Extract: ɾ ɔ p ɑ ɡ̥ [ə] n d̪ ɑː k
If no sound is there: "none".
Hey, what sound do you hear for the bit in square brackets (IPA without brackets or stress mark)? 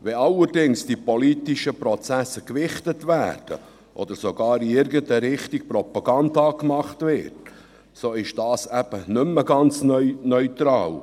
ɑ